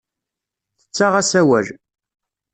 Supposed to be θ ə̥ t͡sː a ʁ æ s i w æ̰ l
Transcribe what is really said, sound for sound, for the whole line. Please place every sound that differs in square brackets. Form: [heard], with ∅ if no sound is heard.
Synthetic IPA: θ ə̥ t͡sː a ʁ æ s [æ] w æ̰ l